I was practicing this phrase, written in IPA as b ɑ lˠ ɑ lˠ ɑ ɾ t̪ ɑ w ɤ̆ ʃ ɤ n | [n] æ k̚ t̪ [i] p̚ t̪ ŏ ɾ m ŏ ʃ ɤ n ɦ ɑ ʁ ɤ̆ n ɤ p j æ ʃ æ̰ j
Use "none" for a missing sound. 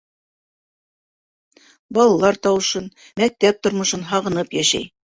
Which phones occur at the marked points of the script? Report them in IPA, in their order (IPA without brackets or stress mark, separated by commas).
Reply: m, æ